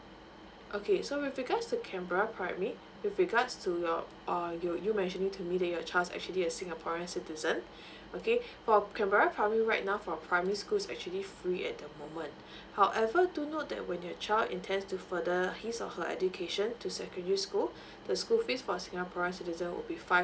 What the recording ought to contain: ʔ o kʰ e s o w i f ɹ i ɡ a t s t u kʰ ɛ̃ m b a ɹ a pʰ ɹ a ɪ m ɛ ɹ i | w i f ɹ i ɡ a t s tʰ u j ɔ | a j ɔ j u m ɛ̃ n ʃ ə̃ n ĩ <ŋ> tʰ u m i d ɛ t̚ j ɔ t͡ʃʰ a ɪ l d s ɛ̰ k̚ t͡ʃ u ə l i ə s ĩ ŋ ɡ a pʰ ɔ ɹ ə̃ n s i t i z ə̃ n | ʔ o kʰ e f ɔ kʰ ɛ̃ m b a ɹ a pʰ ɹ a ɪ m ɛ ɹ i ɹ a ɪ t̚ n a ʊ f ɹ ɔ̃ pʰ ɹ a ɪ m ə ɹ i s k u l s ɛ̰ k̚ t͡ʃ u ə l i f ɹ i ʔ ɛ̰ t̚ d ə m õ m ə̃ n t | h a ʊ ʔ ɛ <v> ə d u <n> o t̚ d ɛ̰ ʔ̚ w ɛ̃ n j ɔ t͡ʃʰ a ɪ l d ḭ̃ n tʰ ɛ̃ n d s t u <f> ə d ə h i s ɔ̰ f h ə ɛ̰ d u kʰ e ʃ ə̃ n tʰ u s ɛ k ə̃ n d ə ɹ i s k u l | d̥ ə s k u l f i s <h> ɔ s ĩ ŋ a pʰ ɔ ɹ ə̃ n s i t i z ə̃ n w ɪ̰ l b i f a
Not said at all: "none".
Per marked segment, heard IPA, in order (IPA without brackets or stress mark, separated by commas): ŋ, v, n, f, f